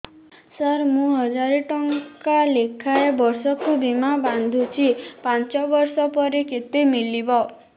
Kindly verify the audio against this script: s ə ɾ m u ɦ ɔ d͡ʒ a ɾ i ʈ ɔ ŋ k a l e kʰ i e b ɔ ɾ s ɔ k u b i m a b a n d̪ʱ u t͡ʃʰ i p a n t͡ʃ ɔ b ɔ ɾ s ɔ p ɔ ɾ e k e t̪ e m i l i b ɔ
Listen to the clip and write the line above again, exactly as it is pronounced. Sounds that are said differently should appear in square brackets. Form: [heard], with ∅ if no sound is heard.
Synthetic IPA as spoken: s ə ɾ m [ũ] ɦ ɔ d͡ʒ a ɾ i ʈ ɔ ŋ k a l e kʰ [a] e b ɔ ɾ s ɔ k u b i m a b a n d̪ʱ u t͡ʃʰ i p a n t͡ʃ ɔ b ɔ ɾ s ɔ p ɔ ɾ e k e t̪ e m i l i b ɔ